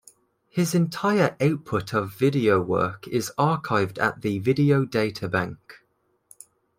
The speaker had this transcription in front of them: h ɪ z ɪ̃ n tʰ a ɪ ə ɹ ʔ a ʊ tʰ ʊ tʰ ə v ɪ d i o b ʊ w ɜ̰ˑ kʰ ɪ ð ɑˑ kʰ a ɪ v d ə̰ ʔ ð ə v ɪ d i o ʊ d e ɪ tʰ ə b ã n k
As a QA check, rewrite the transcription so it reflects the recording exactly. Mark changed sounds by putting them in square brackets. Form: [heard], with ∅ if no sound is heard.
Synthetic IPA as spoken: h ɪ z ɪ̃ n tʰ a ɪ ə ɹ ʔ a ʊ [pʰ] ʊ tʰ ə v ɪ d i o [∅] ʊ w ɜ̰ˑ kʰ ɪ [z] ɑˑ kʰ a ɪ v d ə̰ ʔ ð ə v ɪ d i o ʊ d e ɪ tʰ ə b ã [ŋ] k